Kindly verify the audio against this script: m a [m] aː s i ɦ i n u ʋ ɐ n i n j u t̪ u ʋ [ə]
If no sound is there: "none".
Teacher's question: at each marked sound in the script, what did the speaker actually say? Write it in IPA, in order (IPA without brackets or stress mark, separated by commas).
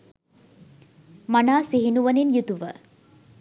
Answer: n, ə